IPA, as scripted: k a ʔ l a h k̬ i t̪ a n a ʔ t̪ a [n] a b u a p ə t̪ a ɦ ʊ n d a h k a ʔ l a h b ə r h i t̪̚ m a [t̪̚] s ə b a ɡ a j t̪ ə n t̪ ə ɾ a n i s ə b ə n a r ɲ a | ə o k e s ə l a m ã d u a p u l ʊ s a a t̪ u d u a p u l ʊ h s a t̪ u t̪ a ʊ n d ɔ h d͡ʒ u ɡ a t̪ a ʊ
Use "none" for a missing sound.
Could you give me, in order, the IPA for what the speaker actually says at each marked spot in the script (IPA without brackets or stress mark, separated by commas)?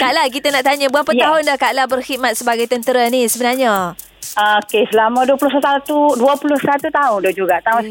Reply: ɲ, t̪̚